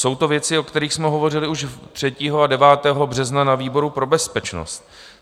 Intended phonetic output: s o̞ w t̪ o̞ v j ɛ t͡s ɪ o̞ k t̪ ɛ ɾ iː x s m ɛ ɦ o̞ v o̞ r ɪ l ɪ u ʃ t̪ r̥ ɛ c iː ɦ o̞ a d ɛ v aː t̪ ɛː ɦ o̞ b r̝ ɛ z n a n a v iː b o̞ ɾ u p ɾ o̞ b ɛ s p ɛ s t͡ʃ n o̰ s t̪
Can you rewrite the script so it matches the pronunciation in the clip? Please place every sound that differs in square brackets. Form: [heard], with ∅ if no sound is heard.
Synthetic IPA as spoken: s o̞ w t̪ o̞ v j ɛ t͡s ɪ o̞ k t̪ ɛ ɾ iː x s m ɛ ɦ o̞ v o̞ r ɪ l ɪ u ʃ t̪ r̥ ɛ c iː ɦ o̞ a d ɛ v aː t̪ ɛː ɦ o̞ b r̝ ɛ z n a n a v iː b o̞ ɾ u p ɾ o̞ b ɛ s p ɛ [∅] t͡ʃ n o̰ s t̪